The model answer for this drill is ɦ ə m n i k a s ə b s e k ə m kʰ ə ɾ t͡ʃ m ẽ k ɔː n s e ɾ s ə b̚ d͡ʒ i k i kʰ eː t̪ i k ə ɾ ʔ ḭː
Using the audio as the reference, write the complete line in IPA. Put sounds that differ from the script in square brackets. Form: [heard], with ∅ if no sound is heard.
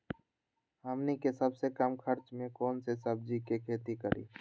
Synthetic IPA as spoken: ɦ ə m n i k [e] s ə b s e k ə m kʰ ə ɾ t͡ʃ m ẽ k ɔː n s e [∅] s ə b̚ d͡ʒ i k [e] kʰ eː t̪ i k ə ɾ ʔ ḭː